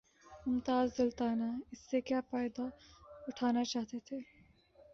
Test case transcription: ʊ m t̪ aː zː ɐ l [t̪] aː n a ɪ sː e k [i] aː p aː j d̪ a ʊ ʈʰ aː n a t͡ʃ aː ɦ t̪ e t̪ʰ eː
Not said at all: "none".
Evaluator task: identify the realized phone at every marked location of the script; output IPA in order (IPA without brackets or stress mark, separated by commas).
t̪, j